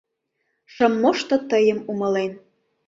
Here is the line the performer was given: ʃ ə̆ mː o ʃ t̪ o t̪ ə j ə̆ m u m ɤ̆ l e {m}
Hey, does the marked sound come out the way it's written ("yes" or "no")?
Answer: no